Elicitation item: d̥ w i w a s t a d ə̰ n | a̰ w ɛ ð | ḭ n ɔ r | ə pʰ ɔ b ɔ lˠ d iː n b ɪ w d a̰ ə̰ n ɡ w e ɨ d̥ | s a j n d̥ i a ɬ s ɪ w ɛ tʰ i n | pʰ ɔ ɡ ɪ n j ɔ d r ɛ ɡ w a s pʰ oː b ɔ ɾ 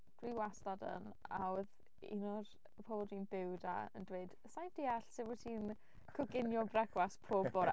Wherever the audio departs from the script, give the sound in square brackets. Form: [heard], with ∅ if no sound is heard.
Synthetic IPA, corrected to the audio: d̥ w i w a s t a d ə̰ n | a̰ w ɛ ð | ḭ n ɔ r | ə pʰ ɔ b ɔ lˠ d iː n b ɪ w d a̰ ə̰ n [d] w e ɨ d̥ | s a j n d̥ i a ɬ s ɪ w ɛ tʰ i n | [kʰ] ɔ ɡ ɪ n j ɔ [b] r ɛ ɡ w a s pʰ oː b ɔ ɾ

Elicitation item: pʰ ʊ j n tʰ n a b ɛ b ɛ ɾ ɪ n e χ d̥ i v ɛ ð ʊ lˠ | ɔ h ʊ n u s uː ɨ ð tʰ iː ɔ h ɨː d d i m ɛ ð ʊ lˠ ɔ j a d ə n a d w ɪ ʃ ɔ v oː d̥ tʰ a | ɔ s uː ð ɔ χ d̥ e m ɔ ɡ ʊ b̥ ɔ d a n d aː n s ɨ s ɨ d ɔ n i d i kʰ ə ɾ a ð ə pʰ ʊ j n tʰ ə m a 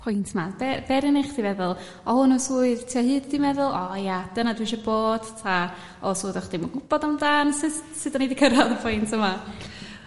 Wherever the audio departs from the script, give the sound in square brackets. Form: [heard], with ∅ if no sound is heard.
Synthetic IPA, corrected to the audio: pʰ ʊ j n tʰ [m] a b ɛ b ɛ ɾ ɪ n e χ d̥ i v ɛ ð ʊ lˠ | ɔ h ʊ n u s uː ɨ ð tʰ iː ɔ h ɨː d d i m ɛ ð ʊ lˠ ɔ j a d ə n a d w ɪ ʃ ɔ [b] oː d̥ tʰ a | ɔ s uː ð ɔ χ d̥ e m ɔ ɡ ʊ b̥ ɔ d a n d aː n s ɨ s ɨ d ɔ n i d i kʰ ə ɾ a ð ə pʰ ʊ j n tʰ ə m a

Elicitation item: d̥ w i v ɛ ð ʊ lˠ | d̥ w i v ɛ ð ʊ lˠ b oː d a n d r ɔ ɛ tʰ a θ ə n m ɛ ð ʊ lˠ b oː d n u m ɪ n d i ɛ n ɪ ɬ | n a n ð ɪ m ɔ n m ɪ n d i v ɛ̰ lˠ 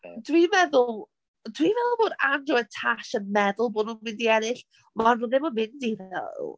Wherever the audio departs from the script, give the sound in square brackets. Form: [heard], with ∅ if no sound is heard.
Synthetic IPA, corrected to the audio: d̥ w i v ɛ ð ʊ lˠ | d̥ w i v ɛ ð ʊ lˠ b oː d a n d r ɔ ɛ tʰ a [ʃ] ə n m ɛ ð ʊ lˠ b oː d n u m ɪ n d i ɛ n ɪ ɬ | [m] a n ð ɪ m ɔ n m ɪ n d i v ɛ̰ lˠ

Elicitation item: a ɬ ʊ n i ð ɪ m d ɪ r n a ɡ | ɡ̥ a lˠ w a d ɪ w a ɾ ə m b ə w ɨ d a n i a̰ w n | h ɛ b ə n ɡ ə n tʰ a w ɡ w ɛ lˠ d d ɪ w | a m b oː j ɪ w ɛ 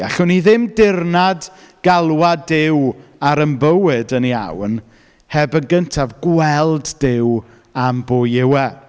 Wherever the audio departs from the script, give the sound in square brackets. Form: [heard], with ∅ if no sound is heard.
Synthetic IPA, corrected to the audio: a ɬ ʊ n i ð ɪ m d ɪ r n a [d] | ɡ̥ a lˠ w a d ɪ w a ɾ ə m b ə w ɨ d [ə] n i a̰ w n | h ɛ b ə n ɡ ə n tʰ a [v] ɡ w ɛ lˠ d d ɪ w | a m b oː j ɪ w ɛ

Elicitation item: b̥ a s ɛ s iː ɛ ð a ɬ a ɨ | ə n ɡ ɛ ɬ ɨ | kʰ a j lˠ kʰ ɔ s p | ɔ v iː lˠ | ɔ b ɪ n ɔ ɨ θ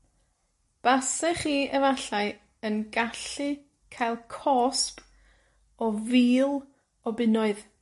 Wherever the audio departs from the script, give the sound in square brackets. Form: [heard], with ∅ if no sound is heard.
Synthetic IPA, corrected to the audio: b̥ a s ɛ [χ] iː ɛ [v] a ɬ a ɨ | ə n ɡ [a] ɬ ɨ | kʰ a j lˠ kʰ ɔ s p | ɔ v iː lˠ | ɔ b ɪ n ɔ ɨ [ð]

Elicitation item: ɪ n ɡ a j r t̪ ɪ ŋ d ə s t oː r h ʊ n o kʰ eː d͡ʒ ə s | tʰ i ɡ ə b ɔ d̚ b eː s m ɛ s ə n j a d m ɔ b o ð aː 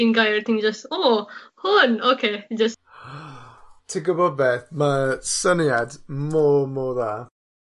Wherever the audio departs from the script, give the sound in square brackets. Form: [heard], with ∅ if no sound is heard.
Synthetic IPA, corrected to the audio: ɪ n ɡ a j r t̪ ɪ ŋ [d͡ʒ] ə s t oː [∅] h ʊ n o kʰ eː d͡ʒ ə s | tʰ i ɡ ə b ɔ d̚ b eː [θ] m [a] s ə n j a d m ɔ [m] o ð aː

